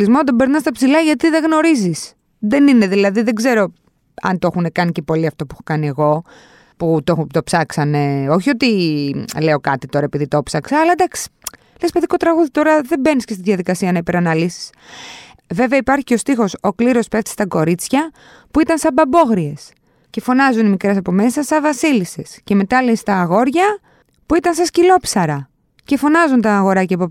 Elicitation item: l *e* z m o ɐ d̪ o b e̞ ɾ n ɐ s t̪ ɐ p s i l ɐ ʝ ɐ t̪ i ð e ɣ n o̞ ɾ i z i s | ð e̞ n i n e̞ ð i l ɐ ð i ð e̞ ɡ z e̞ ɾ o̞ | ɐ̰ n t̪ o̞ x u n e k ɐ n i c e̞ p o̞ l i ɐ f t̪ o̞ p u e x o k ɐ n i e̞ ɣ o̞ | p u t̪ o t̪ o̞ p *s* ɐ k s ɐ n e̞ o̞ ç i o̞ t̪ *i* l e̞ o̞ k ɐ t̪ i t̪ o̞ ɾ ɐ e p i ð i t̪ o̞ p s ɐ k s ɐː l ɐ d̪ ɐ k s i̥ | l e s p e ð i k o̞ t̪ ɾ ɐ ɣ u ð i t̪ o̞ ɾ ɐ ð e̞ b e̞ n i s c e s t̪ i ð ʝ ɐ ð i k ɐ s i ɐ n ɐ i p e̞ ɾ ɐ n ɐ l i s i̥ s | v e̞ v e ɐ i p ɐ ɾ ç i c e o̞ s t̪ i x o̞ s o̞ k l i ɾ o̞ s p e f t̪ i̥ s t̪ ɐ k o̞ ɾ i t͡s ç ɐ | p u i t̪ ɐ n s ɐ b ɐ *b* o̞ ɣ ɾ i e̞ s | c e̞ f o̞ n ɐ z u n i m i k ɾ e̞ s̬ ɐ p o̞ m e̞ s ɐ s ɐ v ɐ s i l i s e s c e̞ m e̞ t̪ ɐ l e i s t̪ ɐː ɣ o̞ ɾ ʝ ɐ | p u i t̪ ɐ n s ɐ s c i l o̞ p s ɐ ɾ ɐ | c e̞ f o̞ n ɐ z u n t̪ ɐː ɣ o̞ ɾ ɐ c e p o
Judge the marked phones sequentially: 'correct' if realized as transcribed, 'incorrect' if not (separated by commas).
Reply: incorrect, correct, correct, correct